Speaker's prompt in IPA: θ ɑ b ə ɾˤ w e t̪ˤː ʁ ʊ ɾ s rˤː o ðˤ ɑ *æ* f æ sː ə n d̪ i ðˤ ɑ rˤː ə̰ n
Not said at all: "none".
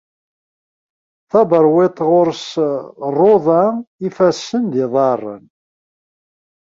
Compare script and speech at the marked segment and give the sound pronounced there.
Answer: i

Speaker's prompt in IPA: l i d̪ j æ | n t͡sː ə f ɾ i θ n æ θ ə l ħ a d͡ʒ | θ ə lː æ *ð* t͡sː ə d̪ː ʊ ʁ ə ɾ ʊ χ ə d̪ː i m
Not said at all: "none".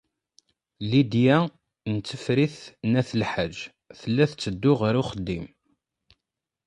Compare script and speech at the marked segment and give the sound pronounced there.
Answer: θ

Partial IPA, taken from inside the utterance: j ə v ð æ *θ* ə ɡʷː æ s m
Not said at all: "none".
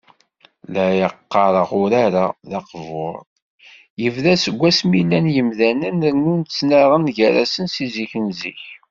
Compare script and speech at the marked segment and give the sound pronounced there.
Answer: s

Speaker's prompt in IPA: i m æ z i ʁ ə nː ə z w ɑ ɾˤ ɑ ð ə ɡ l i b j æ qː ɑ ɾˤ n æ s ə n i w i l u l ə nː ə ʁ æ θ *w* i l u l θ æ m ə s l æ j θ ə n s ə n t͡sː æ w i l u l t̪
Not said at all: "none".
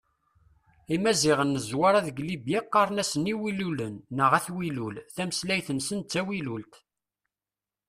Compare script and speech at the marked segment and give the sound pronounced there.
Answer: w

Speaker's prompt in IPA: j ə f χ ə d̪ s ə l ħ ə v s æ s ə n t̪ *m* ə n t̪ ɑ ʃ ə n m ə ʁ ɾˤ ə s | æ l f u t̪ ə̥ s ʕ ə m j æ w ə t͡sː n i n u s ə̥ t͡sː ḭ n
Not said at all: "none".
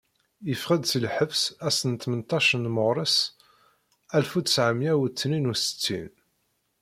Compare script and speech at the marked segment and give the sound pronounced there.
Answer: m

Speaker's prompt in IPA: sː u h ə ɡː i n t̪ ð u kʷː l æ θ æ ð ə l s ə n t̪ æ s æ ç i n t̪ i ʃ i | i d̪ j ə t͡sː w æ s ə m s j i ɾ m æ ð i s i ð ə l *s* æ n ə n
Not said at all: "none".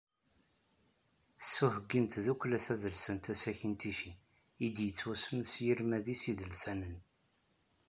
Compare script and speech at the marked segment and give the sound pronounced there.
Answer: s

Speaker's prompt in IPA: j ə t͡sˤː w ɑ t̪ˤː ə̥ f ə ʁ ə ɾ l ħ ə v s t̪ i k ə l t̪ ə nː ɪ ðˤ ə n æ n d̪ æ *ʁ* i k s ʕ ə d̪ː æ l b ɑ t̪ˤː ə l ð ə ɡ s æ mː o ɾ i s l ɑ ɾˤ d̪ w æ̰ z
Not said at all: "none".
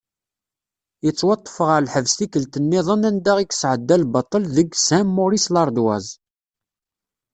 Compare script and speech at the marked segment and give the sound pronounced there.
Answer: ʁ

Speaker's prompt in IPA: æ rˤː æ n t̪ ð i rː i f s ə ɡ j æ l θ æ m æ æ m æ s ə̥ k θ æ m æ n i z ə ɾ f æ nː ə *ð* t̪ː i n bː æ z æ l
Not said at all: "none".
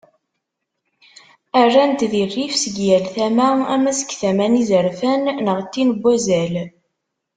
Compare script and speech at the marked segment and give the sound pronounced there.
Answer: ʁ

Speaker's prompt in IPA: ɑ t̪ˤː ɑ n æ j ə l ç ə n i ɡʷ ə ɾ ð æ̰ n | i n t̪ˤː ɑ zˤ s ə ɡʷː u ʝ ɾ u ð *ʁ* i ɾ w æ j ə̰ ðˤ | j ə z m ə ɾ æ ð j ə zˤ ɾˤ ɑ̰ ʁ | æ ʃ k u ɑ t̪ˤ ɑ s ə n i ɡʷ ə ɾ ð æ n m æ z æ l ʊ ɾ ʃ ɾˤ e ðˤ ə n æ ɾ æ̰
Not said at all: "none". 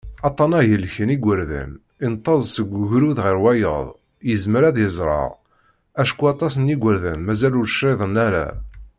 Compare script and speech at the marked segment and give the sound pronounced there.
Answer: ʁ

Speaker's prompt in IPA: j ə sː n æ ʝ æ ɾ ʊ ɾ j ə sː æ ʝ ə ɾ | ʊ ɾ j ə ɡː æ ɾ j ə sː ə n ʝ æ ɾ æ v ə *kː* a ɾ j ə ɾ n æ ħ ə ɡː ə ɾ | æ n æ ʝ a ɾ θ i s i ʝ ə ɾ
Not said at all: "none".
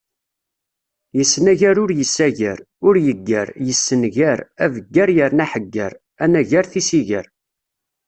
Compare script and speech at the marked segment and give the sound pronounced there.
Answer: ɡː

